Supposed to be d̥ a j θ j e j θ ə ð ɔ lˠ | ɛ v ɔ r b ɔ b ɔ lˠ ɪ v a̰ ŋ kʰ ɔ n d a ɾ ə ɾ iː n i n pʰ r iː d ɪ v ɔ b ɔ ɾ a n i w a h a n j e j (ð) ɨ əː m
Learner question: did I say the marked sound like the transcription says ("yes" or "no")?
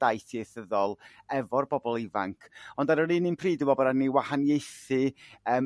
no